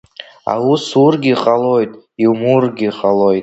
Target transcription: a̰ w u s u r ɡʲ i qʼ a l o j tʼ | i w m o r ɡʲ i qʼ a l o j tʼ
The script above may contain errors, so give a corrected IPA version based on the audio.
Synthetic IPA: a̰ w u s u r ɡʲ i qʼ a l o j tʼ | i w m u r ɡʲ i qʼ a l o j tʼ